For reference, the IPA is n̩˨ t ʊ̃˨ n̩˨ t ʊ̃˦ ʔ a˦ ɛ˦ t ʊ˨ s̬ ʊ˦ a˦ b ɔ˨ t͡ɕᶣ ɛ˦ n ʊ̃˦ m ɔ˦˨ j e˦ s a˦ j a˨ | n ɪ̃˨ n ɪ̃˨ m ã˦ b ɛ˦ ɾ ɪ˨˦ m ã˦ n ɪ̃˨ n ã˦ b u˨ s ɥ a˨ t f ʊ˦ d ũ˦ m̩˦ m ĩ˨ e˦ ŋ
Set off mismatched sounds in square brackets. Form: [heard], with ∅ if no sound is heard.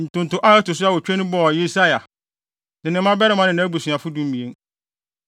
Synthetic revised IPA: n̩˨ t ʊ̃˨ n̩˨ t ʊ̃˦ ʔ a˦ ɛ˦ t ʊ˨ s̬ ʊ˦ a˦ [w] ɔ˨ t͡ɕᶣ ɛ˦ n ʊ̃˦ [b] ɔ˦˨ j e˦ s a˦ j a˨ | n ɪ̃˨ n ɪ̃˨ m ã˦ b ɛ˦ ɾ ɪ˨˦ m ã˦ n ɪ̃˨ n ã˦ b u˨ s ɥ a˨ [∅] f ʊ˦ d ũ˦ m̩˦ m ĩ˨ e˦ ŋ

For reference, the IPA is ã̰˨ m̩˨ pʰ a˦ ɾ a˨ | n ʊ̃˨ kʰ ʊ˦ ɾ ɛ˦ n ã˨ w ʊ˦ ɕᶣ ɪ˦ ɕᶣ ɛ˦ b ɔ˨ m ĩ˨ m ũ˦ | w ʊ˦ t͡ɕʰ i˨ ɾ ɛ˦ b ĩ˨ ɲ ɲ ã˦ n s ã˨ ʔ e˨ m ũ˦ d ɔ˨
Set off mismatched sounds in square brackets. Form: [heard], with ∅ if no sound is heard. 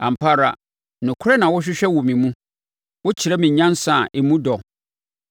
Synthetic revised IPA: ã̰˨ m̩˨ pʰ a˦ ɾ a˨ | n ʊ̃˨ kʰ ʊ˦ ɾ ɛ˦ n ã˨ w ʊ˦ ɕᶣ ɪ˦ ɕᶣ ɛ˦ [w] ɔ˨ m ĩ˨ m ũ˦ | w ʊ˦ t͡ɕʰ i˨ ɾ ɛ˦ [m] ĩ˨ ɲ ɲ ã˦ n s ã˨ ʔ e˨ m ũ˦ d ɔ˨

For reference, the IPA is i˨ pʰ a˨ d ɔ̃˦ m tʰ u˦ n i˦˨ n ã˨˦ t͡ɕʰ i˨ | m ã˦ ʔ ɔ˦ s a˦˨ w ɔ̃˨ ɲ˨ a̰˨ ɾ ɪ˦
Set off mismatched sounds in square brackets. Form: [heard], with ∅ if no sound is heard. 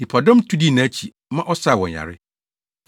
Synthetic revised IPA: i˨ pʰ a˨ d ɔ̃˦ m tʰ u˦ [d] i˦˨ n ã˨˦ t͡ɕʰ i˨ | m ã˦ ʔ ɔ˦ s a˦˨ w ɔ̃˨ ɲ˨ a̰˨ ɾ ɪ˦

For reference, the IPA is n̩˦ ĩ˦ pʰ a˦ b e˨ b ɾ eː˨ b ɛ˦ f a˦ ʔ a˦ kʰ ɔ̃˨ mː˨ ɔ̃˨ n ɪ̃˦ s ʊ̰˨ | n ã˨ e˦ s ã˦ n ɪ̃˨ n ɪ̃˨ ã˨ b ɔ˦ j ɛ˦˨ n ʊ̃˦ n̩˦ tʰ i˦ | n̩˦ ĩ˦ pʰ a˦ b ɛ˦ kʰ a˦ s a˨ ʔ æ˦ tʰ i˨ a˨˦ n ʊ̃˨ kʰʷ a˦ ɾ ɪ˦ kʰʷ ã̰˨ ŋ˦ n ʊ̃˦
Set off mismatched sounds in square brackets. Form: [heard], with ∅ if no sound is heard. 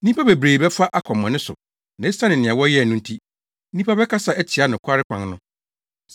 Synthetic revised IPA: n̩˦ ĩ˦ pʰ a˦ b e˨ b ɾ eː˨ b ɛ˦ f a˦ ʔ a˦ kʰ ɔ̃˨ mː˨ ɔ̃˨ n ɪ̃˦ s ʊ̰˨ | n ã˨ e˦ s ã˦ n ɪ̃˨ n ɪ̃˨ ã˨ [w] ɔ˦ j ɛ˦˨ n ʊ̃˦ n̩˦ tʰ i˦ | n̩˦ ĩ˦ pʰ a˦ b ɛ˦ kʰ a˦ s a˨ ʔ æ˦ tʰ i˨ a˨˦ n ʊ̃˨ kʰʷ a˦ ɾ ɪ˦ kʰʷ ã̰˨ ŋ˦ n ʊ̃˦

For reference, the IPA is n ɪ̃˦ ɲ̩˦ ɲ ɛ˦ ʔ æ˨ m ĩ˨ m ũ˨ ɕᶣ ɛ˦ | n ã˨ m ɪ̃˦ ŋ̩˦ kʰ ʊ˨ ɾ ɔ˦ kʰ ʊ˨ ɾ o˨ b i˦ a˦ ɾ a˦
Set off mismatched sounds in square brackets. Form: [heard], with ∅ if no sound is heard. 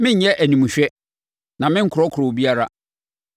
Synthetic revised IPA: [m] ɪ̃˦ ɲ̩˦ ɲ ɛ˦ ʔ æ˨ [n] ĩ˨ m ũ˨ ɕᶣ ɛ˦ | n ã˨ m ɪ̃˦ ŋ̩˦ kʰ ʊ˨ ɾ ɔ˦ kʰ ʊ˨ ɾ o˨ b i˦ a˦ ɾ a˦

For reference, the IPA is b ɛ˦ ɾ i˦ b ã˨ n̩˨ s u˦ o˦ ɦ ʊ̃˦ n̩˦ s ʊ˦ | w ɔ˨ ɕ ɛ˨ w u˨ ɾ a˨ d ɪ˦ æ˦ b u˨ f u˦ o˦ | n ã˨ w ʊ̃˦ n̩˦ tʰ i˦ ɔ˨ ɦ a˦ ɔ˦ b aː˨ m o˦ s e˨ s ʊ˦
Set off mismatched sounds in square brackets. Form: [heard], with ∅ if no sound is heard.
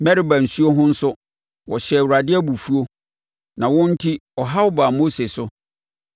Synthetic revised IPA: [m] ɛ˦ ɾ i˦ b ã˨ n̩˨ s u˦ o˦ ɦ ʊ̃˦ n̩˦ s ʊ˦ | w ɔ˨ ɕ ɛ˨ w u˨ ɾ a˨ d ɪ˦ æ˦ b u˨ f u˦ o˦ | n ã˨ w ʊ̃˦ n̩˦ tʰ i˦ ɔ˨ ɦ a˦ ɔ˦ b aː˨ m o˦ s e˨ s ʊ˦

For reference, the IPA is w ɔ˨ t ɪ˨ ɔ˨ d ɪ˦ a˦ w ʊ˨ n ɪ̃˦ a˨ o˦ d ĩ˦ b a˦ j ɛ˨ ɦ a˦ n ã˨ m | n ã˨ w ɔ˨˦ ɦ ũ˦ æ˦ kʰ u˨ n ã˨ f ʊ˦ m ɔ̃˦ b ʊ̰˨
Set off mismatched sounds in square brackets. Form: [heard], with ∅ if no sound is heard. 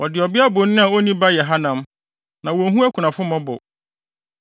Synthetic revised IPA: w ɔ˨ [d] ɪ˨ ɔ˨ [b] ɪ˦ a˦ [b] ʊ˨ n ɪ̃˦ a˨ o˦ [n] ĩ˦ b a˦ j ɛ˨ ɦ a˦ n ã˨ m | n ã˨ w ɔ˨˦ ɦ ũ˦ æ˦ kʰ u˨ n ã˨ f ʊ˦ m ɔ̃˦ b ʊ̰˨

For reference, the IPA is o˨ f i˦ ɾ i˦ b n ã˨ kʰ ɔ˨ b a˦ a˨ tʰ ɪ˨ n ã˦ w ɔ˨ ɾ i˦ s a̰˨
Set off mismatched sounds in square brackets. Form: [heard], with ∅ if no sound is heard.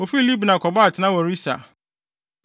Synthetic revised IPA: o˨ f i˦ [l] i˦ b n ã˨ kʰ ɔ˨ b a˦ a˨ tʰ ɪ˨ n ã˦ w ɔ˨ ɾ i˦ s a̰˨

